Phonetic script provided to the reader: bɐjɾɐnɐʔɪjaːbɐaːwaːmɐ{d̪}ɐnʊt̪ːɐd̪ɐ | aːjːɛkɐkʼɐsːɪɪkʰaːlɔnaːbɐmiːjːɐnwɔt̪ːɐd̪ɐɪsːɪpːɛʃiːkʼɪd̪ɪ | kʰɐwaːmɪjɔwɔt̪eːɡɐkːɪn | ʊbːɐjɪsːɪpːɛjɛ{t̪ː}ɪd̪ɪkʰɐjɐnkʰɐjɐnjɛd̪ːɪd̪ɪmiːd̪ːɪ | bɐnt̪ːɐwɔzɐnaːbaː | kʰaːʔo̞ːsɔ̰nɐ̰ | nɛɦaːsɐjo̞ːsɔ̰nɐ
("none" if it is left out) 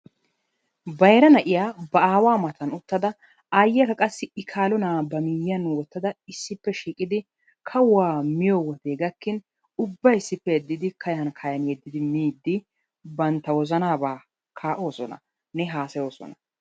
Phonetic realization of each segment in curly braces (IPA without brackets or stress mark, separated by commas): t̪, d̪ː